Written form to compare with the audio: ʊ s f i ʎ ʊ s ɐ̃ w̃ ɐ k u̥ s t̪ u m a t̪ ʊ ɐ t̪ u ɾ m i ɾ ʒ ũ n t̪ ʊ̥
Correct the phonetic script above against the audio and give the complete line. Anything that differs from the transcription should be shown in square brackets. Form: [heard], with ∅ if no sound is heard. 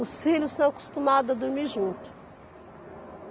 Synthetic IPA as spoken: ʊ s f i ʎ ʊ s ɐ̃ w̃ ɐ k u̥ s t̪ u m a [d̪] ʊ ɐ [d̪] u ɾ m i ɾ ʒ ũ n t̪ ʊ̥